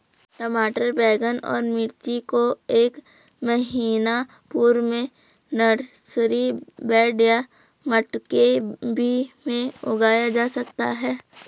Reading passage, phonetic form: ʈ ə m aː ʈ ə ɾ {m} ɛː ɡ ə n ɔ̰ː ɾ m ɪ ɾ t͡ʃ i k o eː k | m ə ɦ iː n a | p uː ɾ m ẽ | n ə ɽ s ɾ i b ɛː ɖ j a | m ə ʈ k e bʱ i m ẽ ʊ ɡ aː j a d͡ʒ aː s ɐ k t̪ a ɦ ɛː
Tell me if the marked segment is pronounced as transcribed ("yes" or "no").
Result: no